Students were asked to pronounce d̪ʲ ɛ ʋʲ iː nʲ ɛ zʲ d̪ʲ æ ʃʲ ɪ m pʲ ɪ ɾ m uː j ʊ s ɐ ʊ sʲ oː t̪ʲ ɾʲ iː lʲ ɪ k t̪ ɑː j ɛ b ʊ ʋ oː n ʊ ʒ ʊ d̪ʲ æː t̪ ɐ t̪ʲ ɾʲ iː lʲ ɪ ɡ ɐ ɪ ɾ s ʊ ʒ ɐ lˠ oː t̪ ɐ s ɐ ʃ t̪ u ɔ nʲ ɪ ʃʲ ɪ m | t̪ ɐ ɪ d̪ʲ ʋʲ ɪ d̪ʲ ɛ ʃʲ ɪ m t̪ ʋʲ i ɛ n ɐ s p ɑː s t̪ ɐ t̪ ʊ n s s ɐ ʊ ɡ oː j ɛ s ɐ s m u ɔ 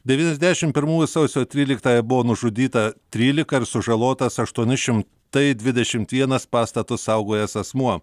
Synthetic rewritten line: d̪ʲ ɛ ʋʲ iː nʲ ɛ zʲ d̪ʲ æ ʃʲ ɪ m pʲ ɪ ɾ m uː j ʊ s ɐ ʊ sʲ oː t̪ʲ ɾʲ iː lʲ ɪ k t̪ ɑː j ɛ b ʊ ʋ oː n ʊ ʒ ʊ d̪ʲ iː t̪ ɐ t̪ʲ ɾʲ iː lʲ ɪ k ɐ ɪ ɾ s ʊ ʒ ɐ lˠ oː t̪ ɐ s ɐ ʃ t̪ u ɔ nʲ ɪ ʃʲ ɪ m | t̪ ɐ ɪ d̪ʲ ʋʲ ɪ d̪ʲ ɛ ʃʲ ɪ m t̪ ʋʲ i ɛ n ɐ s p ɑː s t̪ ɐ t̪ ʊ s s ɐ ʊ ɡ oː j ɛ s ɐ s m u ɔ